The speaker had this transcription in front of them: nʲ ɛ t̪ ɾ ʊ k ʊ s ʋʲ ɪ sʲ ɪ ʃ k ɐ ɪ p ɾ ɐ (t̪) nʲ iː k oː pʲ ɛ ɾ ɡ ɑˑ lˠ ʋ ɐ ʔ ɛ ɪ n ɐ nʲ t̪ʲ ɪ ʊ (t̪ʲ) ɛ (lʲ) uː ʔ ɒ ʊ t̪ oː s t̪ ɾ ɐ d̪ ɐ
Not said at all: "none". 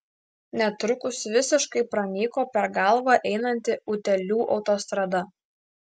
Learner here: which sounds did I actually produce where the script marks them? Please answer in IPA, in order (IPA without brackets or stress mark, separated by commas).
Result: none, t̪ʲ, lʲ